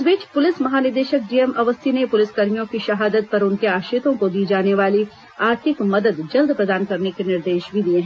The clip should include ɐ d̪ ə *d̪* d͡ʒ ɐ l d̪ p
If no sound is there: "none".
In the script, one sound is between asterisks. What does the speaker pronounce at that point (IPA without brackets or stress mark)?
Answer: d̪